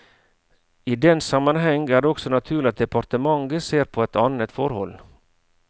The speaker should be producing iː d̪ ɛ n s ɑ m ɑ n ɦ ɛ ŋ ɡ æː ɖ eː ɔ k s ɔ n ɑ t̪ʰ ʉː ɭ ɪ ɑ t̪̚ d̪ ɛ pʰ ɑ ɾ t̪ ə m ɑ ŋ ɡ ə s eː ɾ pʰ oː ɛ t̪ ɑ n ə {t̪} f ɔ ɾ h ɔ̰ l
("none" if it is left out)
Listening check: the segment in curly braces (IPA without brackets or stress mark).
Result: t̪